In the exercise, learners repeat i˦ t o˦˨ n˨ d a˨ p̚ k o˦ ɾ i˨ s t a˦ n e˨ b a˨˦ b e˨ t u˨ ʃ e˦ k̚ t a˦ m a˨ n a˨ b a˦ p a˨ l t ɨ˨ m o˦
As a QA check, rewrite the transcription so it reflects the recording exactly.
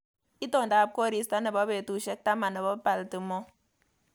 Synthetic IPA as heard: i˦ t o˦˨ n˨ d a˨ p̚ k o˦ ɾ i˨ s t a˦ n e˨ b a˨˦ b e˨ t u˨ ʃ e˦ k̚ t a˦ m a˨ n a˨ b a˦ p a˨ l t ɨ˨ m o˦